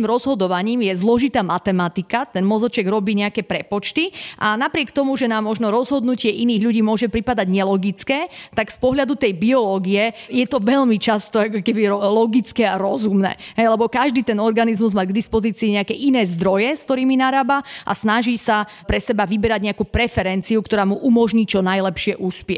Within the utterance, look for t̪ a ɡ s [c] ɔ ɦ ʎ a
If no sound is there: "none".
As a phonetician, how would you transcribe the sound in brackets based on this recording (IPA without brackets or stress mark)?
p